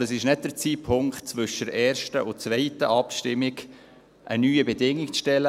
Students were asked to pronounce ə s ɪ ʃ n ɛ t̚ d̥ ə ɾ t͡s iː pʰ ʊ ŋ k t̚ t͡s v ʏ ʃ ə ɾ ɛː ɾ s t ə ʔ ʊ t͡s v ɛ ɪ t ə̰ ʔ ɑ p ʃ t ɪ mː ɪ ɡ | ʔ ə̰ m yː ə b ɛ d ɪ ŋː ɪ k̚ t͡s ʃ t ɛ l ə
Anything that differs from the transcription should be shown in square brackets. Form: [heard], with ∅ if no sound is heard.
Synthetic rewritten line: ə s ɪ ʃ n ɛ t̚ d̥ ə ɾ t͡s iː pʰ ʊ ŋ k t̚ t͡s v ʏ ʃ ə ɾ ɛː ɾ [ʃ] t ə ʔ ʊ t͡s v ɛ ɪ t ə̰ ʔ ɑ p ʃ t ɪ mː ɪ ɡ | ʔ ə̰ [n] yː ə b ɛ d ɪ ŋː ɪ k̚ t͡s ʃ t ɛ l ə